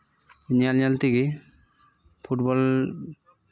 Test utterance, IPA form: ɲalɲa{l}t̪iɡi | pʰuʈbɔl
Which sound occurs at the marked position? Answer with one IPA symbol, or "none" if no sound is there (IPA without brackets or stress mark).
l